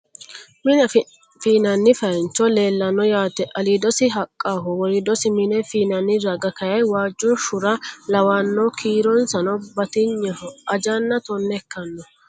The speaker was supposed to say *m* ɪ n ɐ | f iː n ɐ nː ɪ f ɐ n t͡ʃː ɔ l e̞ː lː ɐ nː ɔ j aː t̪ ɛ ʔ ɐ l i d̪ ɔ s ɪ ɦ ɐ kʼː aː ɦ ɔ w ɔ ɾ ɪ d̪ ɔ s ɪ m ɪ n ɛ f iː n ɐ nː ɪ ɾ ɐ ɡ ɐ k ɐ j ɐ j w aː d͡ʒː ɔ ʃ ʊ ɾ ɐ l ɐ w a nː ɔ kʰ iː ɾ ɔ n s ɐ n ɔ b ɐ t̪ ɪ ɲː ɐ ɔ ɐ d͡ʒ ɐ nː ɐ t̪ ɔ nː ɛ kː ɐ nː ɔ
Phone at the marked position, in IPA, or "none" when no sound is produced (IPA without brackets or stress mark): m